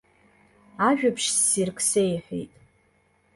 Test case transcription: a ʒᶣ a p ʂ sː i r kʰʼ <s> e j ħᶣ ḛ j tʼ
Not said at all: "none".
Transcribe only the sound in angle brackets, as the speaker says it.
s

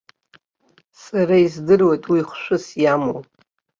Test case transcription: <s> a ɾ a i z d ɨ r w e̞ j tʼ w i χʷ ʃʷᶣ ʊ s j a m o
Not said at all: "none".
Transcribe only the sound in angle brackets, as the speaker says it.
s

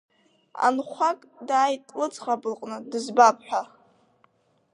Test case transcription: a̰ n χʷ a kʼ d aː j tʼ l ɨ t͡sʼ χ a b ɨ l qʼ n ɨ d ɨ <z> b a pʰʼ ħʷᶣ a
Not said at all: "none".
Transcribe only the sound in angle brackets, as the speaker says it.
z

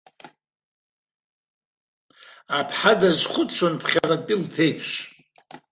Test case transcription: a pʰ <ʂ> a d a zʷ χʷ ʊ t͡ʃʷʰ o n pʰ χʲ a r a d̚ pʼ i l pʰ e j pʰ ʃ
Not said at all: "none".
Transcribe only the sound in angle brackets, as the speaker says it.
ħ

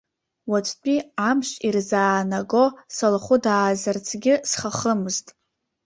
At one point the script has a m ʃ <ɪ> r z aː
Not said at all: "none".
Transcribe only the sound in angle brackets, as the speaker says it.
i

